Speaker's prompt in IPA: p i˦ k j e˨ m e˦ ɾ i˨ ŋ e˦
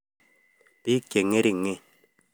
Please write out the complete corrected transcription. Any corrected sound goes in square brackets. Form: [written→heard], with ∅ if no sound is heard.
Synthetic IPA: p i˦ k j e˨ [m→ŋ] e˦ ɾ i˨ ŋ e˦